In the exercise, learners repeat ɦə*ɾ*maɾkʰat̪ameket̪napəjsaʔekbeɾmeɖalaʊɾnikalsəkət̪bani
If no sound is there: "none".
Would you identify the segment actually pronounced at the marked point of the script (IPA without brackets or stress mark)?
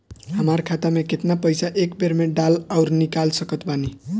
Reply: none